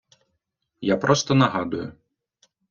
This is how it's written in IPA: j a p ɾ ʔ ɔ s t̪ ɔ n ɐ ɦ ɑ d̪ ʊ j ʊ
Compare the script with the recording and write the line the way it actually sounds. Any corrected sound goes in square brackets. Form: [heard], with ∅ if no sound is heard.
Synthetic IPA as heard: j a p ɾ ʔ ɔ s t̪ ɔ n ɐ ɦ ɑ d̪ ʊ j ʊ